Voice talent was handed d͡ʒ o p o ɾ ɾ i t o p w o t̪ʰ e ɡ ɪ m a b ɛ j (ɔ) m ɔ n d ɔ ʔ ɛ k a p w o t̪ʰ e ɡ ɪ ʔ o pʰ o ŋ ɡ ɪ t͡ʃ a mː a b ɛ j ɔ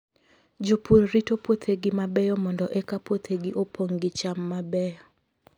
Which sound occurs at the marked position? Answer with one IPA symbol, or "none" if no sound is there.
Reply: ɔ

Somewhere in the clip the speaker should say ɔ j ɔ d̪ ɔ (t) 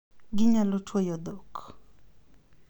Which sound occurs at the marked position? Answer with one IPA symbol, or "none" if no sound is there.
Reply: k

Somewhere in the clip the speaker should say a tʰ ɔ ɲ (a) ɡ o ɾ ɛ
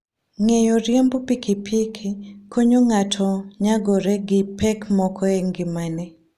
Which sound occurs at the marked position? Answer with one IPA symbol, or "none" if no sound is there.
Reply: a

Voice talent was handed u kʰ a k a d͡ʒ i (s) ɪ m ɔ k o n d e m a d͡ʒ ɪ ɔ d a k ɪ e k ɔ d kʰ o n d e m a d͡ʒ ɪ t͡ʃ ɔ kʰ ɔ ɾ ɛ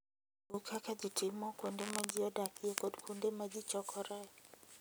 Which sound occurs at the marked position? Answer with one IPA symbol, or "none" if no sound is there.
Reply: t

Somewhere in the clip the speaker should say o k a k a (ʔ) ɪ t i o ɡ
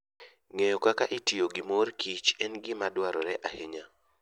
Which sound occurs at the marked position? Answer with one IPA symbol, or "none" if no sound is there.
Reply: ʔ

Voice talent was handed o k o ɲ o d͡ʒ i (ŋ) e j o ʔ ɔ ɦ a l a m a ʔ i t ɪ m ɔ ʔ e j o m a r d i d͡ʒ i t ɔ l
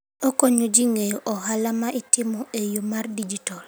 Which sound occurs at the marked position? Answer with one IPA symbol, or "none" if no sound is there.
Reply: ŋ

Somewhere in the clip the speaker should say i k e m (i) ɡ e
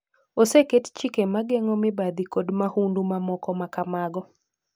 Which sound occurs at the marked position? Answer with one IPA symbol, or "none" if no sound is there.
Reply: a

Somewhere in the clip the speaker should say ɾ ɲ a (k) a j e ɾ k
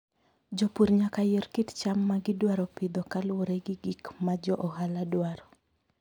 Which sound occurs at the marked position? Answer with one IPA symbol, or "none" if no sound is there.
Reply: k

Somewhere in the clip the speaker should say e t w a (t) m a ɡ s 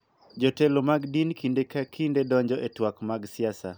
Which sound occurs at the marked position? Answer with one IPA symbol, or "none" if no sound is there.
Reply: k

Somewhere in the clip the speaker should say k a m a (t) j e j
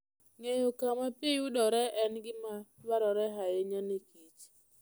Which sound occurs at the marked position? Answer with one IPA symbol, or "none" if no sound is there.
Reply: p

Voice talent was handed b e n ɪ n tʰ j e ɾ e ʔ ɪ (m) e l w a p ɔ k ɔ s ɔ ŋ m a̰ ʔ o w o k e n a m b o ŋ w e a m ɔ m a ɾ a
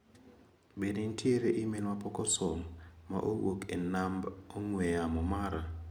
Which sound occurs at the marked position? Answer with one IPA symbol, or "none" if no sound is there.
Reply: m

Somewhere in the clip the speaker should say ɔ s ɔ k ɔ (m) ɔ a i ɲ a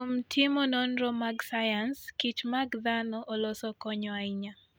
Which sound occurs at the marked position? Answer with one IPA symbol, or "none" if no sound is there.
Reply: ɲ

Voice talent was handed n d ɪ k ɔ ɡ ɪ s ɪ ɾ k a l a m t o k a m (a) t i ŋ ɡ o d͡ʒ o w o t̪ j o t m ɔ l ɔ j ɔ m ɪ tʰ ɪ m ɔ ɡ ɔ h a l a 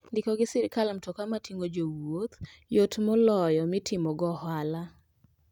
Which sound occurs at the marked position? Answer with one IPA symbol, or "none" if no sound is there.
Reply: a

